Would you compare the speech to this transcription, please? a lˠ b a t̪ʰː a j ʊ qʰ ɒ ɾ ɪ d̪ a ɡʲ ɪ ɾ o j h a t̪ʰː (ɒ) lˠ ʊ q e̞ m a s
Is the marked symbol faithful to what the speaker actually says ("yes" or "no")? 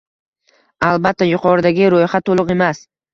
no